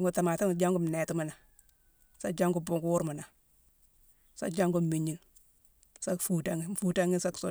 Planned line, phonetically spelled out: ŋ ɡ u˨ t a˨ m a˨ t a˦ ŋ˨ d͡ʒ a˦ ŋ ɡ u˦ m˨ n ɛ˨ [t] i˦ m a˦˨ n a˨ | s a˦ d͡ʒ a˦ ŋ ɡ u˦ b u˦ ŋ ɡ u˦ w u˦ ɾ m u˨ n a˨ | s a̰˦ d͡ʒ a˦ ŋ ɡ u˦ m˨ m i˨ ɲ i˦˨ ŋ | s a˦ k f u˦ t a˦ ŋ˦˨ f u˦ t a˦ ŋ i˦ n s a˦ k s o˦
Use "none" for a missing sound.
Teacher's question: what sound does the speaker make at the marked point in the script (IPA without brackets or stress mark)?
t